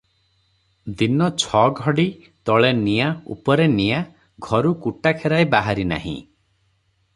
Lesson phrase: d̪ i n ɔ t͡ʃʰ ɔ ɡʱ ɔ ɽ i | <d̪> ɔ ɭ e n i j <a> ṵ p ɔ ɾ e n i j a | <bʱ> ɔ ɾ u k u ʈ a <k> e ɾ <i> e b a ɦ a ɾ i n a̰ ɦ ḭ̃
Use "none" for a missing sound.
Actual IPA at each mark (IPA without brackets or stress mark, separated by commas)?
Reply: t̪, a, ɡʱ, kʰ, a